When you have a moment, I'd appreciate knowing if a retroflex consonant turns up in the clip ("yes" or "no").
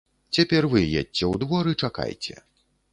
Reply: yes